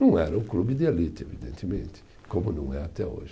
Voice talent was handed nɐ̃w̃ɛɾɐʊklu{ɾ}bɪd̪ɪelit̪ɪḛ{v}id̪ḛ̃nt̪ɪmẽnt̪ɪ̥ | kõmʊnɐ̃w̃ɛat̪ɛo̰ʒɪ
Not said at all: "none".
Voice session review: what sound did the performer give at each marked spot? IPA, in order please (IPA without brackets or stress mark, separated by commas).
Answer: none, v